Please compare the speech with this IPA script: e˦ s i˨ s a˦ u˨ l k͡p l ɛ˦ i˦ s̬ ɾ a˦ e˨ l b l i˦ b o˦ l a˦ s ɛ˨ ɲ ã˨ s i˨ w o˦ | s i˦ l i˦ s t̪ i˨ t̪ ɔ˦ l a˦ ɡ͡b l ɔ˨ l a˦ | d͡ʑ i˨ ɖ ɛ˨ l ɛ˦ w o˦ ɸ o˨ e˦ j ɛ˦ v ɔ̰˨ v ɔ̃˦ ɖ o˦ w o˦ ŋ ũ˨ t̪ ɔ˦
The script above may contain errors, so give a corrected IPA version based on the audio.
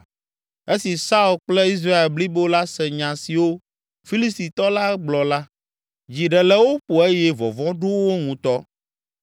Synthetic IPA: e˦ s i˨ s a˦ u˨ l k͡p l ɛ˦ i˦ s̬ ɾ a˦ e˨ l b l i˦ b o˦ l a˦ s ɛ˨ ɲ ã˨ s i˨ w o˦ | f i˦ l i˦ s t̪ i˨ t̪ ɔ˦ l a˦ ɡ͡b l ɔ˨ l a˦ | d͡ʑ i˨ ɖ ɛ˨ l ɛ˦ w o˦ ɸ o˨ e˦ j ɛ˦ v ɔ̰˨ v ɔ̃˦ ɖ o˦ w o˦ ŋ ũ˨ t̪ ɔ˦